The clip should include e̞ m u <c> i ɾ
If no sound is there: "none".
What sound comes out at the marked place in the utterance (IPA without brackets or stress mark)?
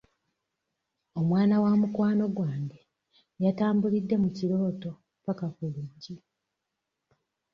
c